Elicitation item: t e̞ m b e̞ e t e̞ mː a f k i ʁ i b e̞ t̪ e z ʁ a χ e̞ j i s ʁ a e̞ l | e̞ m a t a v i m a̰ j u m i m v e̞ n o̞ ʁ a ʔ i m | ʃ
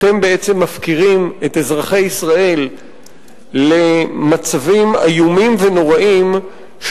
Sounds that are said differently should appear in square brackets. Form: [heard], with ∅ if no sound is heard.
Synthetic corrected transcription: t e̞ m b e̞ e [t͡s] e̞ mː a f k i ʁ i [m] e̞ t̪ e z ʁ a χ e̞ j i s ʁ a e̞ l | e̞ m a [t͡s] a v i m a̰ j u m i m v e̞ n o̞ ʁ a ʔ i m | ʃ